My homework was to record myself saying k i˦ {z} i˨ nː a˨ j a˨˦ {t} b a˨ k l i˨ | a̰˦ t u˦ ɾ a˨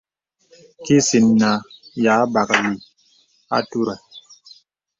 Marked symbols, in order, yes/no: no, no

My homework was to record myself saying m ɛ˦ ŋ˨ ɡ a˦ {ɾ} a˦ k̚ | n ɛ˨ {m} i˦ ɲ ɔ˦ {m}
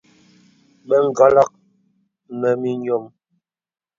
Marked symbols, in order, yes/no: no, yes, yes

